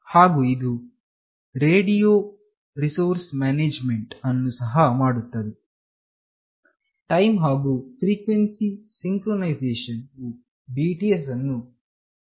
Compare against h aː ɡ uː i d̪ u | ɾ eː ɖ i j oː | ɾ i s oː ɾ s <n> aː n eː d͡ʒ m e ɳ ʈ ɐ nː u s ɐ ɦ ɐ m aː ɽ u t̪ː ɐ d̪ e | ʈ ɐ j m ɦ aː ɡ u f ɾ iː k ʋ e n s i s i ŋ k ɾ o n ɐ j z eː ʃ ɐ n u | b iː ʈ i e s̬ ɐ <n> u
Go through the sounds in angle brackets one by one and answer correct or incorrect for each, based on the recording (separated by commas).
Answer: incorrect, incorrect